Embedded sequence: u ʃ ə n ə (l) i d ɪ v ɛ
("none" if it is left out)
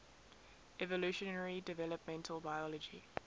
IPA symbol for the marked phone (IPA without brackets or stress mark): ɹ